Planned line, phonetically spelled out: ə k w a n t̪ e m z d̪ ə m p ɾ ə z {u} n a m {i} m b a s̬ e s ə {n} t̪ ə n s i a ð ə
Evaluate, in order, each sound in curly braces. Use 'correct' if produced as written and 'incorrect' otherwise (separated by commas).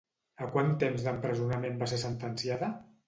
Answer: correct, incorrect, correct